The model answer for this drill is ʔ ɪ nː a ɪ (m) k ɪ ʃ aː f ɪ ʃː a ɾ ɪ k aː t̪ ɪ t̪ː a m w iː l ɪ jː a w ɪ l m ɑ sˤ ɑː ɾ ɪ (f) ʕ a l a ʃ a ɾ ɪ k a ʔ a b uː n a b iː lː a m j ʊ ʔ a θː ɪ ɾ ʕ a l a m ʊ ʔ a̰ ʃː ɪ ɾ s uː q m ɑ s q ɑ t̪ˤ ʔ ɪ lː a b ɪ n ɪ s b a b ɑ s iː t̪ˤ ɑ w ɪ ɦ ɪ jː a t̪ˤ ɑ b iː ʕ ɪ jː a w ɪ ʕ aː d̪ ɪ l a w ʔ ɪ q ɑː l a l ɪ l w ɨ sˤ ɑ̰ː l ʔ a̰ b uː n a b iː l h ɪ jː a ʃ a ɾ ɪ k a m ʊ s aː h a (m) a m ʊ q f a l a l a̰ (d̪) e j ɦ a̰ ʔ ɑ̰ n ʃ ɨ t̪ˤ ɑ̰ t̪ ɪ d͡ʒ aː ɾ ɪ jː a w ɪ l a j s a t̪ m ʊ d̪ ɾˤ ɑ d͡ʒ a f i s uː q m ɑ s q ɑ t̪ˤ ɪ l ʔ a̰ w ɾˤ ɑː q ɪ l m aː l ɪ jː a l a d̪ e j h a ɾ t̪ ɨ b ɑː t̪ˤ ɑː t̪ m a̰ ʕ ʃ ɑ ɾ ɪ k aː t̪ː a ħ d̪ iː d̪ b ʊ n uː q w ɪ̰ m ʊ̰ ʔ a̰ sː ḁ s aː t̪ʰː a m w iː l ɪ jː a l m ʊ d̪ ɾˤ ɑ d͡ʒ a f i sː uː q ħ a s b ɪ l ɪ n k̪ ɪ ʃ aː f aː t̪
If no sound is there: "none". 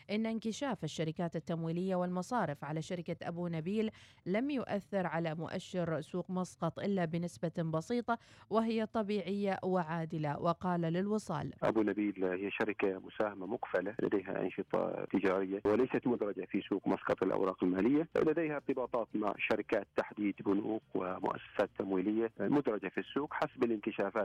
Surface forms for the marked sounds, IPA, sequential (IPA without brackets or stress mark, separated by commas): n, f, m, d̪